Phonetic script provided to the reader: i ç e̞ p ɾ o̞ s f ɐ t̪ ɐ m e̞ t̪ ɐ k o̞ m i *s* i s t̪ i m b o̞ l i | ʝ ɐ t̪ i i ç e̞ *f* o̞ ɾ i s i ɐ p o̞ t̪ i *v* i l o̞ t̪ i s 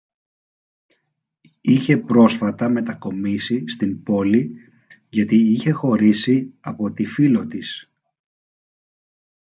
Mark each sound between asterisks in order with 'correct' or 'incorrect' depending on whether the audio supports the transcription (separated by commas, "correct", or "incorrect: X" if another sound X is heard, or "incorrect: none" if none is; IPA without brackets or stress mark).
correct, incorrect: x, incorrect: f